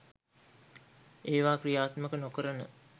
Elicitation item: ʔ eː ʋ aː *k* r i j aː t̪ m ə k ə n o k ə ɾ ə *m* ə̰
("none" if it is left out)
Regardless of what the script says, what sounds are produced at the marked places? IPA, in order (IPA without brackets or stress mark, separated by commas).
k, n